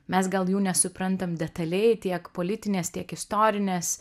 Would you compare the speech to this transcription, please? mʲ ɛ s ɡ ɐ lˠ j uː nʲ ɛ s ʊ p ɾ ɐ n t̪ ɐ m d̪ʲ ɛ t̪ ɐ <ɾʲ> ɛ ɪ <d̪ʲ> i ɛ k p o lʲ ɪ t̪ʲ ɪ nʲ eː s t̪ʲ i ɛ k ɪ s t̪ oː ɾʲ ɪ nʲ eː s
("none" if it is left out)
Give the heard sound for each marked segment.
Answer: lʲ, t̪ʲ

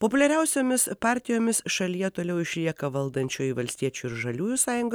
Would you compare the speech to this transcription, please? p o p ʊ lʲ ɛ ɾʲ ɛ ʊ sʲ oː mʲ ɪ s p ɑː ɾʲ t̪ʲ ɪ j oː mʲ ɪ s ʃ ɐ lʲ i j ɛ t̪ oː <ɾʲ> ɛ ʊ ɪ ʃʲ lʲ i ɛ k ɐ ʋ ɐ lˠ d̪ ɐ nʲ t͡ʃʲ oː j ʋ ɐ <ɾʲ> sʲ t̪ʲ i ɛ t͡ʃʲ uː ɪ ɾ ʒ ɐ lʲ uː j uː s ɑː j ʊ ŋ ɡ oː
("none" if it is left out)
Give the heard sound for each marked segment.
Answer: lʲ, lʲ

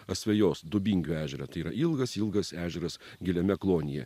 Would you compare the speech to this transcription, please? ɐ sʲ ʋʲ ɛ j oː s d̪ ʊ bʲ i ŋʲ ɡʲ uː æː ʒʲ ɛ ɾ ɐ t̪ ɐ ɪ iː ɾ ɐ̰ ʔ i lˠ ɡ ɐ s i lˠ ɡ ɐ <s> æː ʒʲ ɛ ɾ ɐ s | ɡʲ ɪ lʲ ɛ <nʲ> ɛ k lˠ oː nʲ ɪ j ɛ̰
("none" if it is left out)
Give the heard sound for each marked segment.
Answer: s, mʲ

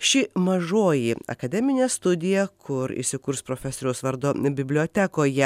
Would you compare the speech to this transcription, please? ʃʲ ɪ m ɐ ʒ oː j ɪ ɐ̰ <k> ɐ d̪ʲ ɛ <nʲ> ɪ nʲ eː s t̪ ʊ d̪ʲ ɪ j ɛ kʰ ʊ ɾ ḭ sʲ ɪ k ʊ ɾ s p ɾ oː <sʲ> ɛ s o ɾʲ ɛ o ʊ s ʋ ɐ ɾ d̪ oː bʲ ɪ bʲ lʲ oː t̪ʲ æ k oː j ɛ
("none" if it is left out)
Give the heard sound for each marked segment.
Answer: k, mʲ, fʲ

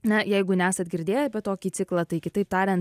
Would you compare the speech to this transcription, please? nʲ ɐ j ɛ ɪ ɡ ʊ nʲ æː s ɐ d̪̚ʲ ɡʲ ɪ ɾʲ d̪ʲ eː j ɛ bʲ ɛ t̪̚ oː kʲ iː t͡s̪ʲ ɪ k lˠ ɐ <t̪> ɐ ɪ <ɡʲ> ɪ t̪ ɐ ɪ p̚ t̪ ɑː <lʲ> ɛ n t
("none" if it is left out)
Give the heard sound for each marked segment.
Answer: t̪, kʲ, ɾʲ

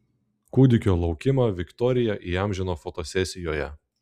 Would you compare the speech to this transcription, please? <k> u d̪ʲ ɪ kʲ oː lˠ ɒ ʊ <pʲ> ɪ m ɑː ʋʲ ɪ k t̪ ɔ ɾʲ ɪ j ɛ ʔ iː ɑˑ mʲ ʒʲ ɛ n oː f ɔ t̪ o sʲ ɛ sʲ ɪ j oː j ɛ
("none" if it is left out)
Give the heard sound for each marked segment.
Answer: k, kʲ

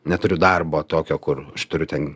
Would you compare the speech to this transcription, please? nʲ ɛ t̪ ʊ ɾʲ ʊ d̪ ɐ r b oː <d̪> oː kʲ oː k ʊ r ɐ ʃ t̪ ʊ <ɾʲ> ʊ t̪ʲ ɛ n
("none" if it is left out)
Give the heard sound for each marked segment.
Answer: t̪, ɾʲ

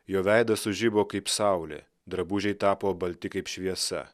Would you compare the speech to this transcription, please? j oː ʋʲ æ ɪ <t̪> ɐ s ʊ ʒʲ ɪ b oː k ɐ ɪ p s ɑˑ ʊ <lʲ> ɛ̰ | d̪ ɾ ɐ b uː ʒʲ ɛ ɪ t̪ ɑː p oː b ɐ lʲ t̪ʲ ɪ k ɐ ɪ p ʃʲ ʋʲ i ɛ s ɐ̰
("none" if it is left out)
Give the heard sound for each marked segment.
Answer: d̪, lʲ

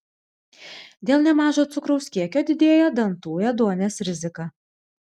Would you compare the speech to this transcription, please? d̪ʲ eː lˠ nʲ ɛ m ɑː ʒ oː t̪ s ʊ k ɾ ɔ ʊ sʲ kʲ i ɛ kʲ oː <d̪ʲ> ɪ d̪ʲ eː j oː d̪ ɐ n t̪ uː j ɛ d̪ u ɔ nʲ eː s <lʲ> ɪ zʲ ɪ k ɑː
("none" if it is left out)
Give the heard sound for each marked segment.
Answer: d̪ʲ, ɾʲ

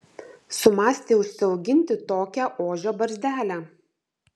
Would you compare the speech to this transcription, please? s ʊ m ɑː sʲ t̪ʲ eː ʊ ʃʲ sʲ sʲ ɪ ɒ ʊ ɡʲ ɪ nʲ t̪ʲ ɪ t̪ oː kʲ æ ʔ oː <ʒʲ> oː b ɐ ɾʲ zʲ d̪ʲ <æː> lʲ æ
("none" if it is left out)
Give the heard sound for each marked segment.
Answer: ʒʲ, æː

